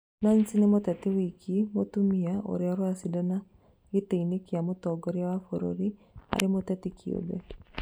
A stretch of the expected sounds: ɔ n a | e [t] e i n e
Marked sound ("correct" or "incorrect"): correct